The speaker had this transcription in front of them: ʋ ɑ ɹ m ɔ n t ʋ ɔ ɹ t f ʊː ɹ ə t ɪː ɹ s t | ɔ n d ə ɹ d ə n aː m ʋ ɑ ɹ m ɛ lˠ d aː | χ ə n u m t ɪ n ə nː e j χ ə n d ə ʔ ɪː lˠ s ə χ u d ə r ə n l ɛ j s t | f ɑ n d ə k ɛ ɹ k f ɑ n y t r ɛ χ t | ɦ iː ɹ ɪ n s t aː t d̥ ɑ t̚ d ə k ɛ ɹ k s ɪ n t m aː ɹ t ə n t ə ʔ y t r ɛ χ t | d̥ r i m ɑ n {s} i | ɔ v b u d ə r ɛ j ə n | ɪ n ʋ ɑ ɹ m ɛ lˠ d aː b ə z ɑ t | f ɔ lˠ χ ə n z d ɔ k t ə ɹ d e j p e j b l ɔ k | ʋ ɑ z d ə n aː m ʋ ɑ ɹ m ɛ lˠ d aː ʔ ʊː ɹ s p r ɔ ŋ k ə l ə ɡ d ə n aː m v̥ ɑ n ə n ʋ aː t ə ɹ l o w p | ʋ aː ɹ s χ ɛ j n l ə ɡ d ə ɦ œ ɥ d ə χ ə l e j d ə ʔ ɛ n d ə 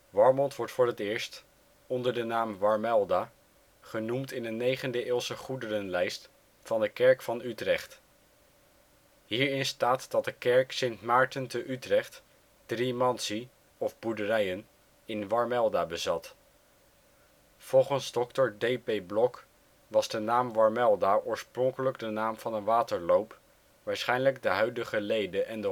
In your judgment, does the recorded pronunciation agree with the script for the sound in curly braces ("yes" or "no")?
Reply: yes